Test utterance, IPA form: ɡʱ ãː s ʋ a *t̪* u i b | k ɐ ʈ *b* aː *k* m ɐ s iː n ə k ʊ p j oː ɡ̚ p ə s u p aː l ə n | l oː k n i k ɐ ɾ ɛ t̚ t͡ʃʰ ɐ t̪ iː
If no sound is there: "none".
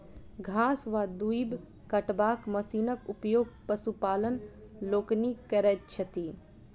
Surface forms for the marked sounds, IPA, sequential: d̪, b, k

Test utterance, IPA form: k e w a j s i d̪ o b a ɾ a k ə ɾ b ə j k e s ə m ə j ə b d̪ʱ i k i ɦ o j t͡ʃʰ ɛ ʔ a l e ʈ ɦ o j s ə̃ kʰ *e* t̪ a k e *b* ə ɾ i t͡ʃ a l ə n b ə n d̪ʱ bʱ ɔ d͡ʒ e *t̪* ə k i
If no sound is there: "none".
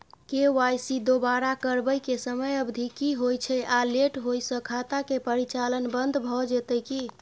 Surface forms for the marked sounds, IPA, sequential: a, p, t̪

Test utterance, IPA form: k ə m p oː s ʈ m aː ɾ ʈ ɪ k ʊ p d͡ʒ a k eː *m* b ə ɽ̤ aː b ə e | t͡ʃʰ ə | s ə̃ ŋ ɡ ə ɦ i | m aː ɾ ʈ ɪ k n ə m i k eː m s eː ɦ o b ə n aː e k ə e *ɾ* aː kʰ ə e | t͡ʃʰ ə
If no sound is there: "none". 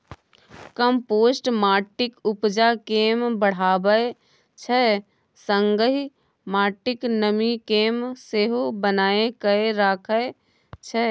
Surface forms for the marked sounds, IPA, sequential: m, ɾ

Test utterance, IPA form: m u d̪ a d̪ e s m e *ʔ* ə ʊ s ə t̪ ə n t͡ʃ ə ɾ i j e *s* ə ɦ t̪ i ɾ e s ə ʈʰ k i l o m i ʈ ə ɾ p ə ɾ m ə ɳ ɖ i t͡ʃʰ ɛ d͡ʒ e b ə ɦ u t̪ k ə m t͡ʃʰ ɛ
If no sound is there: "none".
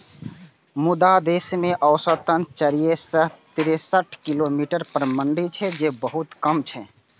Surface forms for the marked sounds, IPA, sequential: ʔ, s

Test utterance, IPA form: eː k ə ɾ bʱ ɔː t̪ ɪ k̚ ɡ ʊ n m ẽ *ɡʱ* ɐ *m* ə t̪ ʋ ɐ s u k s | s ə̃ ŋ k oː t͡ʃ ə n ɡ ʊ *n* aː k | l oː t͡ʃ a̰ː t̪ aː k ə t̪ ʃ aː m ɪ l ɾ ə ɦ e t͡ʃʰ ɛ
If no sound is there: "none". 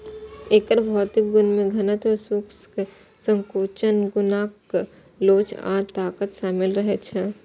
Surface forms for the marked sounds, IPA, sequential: ɡʱ, n, n

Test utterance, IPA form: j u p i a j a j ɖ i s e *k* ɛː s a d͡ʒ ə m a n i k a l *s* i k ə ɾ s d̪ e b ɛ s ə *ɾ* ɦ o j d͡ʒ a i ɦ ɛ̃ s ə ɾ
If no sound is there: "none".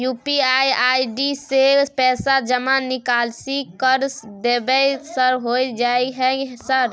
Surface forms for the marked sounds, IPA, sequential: p, s, ɾ

